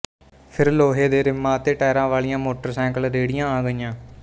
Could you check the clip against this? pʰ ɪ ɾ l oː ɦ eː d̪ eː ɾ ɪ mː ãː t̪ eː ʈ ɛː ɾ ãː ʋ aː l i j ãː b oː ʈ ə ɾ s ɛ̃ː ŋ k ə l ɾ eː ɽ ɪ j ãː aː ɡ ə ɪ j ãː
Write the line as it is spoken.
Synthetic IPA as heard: pʰ ɪ ɾ l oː ɦ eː d̪ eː ɾ ɪ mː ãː t̪ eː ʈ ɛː ɾ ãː ʋ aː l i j ãː m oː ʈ ə ɾ s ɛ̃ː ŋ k ə l ɾ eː ɽ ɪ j ãː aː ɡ ə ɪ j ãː